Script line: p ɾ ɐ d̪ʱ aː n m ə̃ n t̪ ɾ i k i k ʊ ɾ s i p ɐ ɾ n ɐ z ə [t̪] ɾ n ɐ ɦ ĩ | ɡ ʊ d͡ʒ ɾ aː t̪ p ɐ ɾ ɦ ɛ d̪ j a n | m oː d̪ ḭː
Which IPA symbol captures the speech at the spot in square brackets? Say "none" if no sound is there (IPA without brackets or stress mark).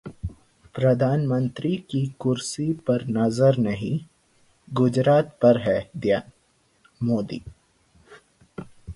none